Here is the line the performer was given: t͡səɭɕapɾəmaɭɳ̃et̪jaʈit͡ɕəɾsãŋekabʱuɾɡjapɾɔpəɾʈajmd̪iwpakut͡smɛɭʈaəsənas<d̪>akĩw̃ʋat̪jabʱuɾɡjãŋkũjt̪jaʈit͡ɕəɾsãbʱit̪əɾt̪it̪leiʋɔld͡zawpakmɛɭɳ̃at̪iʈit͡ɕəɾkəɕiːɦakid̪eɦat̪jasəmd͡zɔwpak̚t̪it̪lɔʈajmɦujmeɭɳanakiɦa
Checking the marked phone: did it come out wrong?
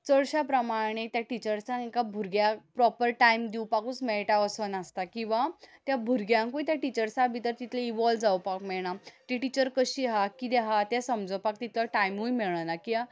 yes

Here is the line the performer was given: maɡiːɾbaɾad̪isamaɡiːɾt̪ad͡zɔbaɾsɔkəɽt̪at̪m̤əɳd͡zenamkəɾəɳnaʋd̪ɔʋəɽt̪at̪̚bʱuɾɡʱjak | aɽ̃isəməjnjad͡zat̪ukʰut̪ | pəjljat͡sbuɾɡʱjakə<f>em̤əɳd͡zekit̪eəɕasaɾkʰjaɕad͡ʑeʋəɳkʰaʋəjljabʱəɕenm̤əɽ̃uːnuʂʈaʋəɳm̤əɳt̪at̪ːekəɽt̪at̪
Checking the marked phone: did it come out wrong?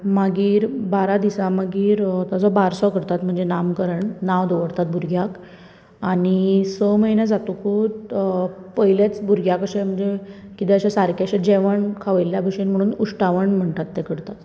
yes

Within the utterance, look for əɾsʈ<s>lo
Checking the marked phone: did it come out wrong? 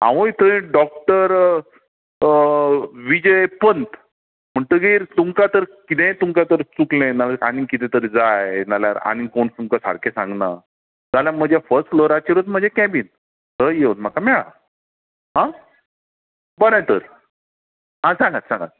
yes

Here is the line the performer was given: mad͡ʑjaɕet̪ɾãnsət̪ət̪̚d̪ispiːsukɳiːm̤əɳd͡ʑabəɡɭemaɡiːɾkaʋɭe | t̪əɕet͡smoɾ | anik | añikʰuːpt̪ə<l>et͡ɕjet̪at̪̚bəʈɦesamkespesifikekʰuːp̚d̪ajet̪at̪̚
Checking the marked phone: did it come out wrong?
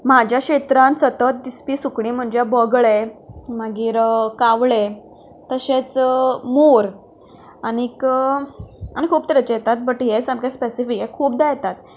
yes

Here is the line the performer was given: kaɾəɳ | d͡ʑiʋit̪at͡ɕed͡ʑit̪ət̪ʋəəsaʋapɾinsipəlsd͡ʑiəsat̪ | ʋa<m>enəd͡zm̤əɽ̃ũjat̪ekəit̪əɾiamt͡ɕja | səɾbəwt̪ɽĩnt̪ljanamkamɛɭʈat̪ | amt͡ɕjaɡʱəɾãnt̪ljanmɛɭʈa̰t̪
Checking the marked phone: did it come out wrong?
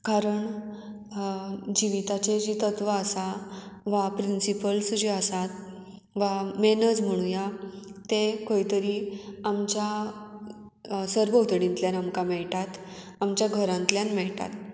no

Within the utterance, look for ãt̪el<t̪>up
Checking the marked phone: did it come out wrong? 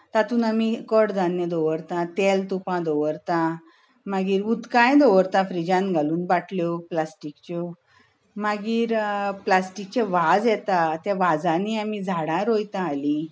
no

